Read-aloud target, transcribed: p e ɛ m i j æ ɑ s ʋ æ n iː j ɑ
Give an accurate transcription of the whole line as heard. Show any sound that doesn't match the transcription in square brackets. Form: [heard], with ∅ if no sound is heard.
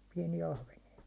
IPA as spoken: p [i] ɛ [n] i j æ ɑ [h] ʋ [e] n [i] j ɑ